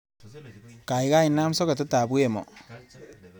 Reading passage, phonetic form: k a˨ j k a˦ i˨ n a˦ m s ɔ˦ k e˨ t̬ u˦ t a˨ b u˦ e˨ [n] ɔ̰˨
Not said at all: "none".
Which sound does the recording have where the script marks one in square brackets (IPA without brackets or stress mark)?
m